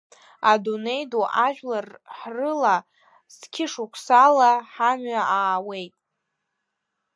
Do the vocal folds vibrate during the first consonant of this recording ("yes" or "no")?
yes